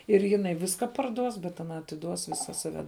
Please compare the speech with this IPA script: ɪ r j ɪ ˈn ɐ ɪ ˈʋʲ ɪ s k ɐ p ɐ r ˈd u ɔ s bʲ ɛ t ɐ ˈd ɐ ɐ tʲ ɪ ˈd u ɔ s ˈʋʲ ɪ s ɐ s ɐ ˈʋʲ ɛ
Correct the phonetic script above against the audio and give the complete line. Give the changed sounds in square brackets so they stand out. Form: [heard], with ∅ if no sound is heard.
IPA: ɪ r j ɪ ˈn ɐ ɪ ˈʋʲ ɪ s k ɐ p ɐ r ˈd u ɔ s bʲ ɛ t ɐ [ˈn] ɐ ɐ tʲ ɪ ˈd u ɔ s ˈʋʲ ɪ s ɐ s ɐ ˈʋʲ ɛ